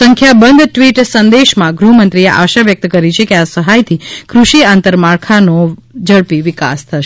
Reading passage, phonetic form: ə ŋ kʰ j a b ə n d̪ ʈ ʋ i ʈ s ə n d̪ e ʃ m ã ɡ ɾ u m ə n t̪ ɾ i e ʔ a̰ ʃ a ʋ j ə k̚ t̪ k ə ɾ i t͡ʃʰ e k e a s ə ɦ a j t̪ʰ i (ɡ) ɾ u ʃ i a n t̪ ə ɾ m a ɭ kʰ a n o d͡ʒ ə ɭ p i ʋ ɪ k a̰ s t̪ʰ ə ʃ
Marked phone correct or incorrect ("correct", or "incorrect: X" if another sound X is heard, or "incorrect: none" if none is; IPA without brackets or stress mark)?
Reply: incorrect: k